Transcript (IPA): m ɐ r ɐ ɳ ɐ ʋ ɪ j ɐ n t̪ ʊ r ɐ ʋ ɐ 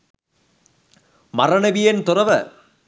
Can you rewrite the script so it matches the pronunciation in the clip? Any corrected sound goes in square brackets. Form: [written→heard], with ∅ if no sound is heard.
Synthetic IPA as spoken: m ɐ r ɐ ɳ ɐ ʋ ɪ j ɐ n t̪ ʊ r ɐ ʋ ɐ